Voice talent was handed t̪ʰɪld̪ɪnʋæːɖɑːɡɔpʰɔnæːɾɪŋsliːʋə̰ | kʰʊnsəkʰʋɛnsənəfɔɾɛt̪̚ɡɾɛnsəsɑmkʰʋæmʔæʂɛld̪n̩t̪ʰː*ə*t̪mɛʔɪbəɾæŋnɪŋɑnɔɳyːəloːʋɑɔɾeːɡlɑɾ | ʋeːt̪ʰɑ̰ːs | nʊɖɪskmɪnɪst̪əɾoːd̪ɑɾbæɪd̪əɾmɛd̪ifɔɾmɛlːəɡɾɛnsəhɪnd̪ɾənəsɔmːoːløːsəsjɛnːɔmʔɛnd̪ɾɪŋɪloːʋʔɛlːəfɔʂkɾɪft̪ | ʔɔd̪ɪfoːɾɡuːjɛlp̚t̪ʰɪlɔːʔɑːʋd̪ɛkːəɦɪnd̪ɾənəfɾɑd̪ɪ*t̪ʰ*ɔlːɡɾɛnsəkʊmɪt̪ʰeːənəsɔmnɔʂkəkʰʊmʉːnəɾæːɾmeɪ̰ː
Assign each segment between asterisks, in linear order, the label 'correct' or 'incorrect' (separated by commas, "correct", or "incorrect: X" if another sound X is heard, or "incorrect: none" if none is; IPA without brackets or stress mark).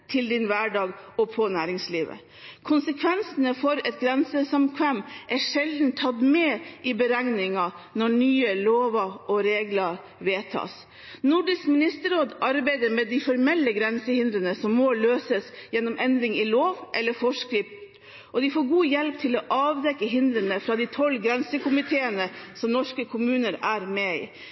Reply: incorrect: ɑ, correct